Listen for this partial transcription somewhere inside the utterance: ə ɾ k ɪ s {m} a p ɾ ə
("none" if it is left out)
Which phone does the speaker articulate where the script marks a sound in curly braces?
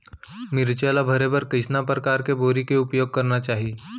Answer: n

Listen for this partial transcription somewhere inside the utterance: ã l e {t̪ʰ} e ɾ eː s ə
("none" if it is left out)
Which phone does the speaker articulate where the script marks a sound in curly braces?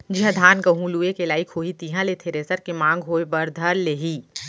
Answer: t̪ʰ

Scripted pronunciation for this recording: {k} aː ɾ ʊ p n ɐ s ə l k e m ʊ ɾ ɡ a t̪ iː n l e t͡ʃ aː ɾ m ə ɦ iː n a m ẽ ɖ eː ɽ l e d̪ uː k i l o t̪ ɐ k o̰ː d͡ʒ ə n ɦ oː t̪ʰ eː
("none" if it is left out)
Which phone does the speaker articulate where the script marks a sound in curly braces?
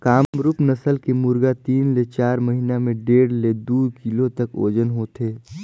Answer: k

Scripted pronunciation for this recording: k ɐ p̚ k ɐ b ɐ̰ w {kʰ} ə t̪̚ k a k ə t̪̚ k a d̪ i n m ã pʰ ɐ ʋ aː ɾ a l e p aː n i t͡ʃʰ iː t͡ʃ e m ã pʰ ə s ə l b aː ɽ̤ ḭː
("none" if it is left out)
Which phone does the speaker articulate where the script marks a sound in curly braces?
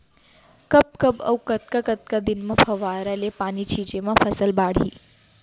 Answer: k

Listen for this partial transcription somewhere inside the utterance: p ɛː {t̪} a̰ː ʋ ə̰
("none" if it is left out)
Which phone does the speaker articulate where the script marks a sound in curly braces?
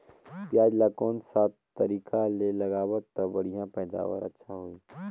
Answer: d̪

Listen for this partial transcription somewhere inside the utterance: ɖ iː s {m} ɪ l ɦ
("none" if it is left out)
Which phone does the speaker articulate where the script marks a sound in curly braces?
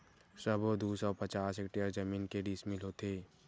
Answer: m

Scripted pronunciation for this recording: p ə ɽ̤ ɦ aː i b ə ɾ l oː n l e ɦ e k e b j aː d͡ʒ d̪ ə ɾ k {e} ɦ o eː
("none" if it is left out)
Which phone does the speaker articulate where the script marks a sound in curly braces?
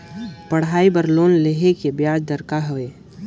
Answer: a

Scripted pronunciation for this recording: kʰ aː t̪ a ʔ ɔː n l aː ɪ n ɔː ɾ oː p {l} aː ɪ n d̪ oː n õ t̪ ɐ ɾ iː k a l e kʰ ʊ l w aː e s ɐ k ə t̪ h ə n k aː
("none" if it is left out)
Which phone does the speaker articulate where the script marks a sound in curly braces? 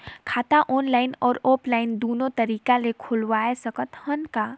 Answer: l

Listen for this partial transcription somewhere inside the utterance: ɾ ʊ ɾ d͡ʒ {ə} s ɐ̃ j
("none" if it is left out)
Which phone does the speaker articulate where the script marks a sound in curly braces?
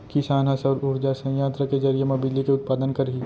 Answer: a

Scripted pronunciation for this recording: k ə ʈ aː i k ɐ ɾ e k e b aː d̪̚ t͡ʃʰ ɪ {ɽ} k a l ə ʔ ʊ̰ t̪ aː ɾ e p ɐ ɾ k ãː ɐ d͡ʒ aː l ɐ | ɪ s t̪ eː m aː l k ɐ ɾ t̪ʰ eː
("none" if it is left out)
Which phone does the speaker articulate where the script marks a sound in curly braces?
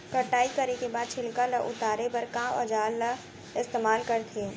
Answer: l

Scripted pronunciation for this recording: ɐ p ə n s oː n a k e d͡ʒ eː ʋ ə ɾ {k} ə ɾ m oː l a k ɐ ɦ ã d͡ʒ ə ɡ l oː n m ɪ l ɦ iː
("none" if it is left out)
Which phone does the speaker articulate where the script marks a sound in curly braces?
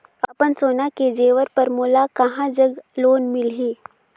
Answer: p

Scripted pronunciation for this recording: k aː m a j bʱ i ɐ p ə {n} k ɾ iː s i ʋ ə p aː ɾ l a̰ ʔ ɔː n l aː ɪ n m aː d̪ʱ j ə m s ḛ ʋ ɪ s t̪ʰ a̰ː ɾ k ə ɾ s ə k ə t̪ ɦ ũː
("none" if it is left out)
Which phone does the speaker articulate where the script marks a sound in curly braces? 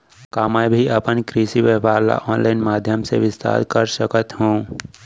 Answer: n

